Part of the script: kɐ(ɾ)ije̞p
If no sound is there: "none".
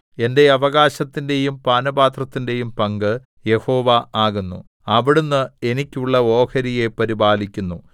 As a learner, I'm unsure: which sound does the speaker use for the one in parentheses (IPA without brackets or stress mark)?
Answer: ɾ